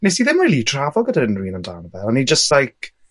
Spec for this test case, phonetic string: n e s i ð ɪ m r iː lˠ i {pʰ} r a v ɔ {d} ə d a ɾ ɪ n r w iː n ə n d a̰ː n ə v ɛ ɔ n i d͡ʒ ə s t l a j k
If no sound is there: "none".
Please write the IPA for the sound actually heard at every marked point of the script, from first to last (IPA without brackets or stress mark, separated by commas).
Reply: tʰ, ɡ